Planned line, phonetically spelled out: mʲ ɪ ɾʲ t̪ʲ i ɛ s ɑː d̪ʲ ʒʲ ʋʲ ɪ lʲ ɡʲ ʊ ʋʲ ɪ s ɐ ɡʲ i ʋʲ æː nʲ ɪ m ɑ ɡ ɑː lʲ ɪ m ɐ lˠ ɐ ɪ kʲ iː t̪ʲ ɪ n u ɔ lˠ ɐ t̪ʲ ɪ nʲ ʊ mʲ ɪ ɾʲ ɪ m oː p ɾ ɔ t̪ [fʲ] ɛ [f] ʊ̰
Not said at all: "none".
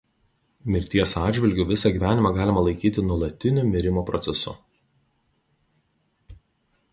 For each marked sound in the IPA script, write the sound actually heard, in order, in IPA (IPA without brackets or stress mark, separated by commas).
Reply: sʲ, s